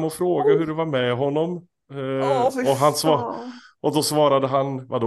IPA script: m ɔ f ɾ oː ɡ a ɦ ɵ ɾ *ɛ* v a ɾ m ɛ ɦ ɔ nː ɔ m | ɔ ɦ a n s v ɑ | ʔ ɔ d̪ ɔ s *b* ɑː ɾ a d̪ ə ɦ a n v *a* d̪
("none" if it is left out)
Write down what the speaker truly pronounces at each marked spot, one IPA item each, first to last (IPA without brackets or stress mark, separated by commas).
ɛ, v, a